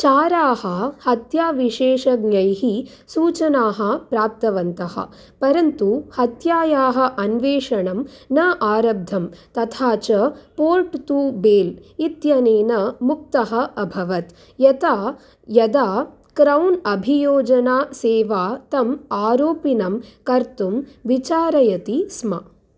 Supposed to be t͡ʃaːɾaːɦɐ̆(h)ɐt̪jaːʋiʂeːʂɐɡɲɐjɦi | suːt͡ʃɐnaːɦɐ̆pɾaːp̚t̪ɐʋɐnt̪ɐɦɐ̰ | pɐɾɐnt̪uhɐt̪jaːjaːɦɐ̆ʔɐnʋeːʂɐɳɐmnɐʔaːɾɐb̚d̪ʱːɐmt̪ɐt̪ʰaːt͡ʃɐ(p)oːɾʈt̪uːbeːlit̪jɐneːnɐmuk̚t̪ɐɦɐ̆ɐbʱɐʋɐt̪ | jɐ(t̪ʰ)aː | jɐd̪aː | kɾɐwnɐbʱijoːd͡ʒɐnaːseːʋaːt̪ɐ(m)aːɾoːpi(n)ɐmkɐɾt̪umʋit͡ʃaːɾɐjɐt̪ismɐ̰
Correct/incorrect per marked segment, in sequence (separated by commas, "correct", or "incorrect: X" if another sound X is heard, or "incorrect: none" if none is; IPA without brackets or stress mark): correct, correct, incorrect: t̪, correct, correct